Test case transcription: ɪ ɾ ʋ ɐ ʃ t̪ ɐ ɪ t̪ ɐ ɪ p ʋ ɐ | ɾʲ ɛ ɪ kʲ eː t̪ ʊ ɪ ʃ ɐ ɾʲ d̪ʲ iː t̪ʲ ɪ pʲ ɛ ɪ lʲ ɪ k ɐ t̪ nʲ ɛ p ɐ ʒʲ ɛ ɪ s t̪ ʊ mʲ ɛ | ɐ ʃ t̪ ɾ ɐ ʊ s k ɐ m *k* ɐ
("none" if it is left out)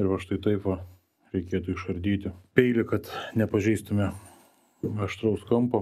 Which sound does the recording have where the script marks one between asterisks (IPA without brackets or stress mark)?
p